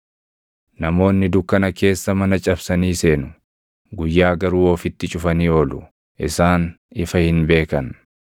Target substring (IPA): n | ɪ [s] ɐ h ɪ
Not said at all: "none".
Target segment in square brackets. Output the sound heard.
f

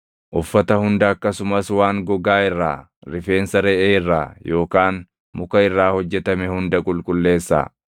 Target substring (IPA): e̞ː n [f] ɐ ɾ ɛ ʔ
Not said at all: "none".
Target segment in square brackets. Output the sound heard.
s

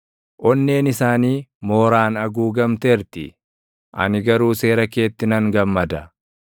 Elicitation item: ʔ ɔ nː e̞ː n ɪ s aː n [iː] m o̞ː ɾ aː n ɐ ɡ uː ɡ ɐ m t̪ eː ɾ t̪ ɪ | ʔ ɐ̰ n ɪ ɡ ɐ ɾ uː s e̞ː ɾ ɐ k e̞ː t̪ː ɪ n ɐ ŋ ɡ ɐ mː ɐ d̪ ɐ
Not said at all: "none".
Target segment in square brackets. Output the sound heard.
iː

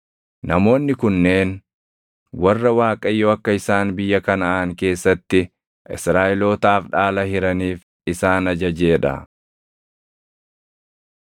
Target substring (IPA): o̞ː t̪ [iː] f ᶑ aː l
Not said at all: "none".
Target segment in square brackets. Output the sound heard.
aː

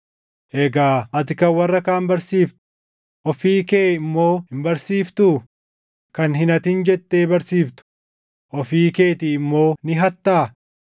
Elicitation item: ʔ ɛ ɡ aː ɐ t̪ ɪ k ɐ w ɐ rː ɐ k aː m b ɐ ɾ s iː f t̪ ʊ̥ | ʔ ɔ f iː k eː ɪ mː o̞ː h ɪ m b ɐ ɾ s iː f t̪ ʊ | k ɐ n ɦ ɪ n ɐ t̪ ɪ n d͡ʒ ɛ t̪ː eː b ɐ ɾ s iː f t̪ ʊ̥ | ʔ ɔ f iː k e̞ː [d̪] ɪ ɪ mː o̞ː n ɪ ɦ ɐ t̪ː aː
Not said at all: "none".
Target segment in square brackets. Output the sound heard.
t̪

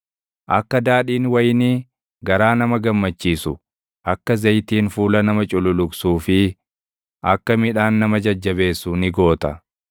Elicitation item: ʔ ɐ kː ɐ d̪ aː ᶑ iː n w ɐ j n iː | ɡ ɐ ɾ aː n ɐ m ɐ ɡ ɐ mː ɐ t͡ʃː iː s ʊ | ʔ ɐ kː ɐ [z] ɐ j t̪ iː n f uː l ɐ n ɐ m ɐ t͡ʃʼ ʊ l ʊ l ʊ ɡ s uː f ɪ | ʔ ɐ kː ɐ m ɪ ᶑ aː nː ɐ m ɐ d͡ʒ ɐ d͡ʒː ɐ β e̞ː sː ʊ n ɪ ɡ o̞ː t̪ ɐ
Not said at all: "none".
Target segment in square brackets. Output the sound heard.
z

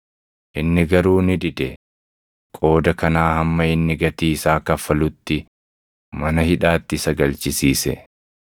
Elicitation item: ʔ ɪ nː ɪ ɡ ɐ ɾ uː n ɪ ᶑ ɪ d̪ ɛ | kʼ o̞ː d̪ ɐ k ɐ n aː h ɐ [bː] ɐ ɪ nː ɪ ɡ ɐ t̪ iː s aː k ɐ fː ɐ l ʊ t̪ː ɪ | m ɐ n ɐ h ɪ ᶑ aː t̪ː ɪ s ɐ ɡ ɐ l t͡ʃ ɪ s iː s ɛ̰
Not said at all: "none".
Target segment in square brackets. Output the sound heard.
mː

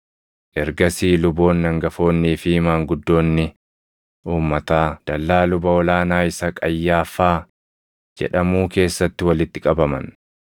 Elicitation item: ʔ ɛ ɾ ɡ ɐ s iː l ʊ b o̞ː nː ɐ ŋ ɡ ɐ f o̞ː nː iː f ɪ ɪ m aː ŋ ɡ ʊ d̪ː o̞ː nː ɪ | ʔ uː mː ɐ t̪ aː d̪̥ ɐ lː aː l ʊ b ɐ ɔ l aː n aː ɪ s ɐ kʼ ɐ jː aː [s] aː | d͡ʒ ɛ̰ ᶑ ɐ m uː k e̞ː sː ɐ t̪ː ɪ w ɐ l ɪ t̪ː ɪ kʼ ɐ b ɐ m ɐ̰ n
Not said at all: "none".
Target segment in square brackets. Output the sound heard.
f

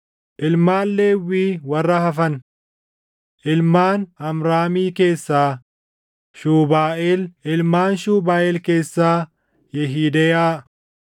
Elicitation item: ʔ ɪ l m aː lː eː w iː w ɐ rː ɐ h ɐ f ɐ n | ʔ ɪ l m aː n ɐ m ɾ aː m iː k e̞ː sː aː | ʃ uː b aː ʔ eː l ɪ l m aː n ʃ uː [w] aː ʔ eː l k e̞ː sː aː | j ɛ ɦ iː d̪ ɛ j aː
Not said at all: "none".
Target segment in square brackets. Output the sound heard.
b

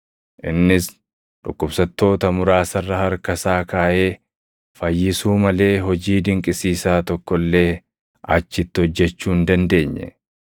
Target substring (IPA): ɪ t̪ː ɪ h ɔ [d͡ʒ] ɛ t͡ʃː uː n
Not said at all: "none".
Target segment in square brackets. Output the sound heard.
d͡ʒː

